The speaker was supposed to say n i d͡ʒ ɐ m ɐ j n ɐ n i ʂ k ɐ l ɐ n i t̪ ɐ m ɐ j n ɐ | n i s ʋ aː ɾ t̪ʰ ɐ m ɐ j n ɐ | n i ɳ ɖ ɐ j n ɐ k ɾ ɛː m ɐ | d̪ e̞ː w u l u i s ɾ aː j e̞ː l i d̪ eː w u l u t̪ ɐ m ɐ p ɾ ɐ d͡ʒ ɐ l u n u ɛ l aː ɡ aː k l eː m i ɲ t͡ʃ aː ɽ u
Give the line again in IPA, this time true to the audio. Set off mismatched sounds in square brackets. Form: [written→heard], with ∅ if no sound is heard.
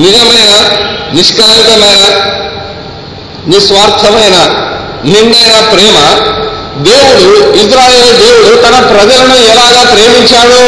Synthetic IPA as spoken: n i d͡ʒ ɐ m ɐ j n ɐ n i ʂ k ɐ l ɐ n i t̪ ɐ m ɐ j n ɐ | n i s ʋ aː ɾ t̪ʰ ɐ m ɐ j n ɐ | n i ɳ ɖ ɐ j n ɐ [k→p] ɾ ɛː m ɐ | d̪ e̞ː w u [l→ɽ] u i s ɾ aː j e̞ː l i d̪ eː w u [l→ɽ] u t̪ ɐ [m→n] ɐ p ɾ ɐ d͡ʒ ɐ l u n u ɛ l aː ɡ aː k [l→ɾ] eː m i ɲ t͡ʃ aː ɽ u